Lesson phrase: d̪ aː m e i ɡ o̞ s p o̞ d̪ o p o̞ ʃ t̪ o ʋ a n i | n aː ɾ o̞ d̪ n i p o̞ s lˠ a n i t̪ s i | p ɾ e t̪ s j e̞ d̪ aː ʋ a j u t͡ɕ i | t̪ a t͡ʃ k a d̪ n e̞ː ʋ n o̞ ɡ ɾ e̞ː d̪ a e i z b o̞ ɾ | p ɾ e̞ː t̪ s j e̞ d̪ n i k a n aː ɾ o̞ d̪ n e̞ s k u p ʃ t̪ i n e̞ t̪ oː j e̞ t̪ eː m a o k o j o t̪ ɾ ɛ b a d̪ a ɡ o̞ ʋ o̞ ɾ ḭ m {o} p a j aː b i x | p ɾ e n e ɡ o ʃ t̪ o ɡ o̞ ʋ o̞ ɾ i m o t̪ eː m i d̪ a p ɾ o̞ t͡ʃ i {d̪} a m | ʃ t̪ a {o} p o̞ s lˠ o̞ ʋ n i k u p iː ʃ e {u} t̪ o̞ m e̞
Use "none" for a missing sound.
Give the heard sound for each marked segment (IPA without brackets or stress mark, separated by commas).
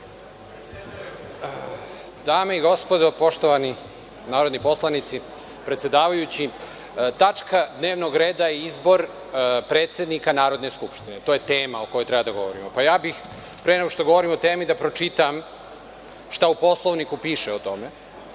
o, t̪, u, o